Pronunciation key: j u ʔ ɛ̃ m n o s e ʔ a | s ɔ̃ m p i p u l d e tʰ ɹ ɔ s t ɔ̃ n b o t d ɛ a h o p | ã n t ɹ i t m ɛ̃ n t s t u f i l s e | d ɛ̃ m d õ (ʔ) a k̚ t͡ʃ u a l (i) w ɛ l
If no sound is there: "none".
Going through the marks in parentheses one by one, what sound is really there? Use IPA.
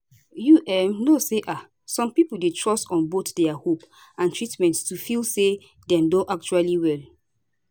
ʔ, i

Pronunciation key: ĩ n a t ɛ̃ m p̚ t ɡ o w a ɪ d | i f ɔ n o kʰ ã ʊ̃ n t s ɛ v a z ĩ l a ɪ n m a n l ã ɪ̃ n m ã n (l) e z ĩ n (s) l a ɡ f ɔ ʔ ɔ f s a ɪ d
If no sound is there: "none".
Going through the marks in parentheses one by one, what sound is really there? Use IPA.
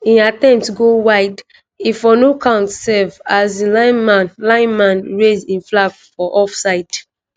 ɹ, f

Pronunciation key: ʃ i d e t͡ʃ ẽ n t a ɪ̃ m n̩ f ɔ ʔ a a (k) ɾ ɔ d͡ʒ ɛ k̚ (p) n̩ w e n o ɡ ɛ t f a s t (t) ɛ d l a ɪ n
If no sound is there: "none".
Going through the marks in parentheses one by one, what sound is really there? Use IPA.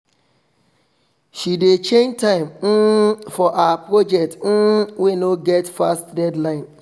p, t, d

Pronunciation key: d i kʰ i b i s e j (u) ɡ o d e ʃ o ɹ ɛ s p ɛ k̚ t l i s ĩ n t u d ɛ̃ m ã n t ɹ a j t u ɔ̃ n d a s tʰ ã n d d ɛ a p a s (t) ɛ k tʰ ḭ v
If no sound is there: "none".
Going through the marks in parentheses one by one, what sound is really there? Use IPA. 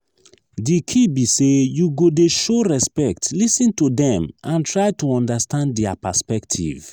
u, p

